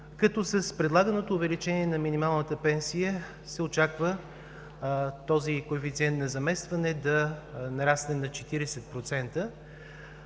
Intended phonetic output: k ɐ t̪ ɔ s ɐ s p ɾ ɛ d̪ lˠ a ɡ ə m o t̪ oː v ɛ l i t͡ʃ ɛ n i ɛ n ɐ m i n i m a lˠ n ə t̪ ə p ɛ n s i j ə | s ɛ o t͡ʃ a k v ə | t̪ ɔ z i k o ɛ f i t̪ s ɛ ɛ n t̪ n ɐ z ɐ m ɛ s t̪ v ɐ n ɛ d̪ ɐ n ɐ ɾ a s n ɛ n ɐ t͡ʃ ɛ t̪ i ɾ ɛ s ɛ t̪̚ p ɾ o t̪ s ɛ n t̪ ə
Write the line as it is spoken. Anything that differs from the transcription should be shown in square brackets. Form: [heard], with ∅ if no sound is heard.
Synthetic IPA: k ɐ t̪ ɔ s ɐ s p ɾ ɛ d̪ lˠ a ɡ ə [n] o t̪ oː v ɛ l i t͡ʃ ɛ n i ɛ n ɐ m i n i m a lˠ n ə t̪ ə p ɛ n s i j ə | s ɛ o t͡ʃ a k v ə | t̪ ɔ z i k o ɛ f i t̪ s [i] ɛ n t̪ n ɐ z ɐ m ɛ s t̪ v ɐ n ɛ d̪ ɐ n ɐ ɾ a s n ɛ n ɐ t͡ʃ ɛ t̪ i ɾ ɛ s ɛ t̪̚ p ɾ o t̪ s ɛ n t̪ ə